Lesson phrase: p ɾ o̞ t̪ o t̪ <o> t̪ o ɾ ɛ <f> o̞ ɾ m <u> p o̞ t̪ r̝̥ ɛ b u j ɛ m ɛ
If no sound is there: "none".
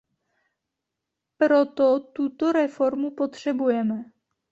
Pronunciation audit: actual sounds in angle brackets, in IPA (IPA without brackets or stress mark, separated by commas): u, f, u